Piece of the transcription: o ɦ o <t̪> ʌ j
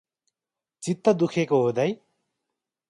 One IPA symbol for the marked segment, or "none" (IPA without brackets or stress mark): d̪